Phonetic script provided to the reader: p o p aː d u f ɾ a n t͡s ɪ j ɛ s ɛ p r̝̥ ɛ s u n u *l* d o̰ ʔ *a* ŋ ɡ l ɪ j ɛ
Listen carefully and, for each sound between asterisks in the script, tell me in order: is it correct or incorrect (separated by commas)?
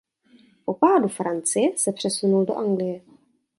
correct, correct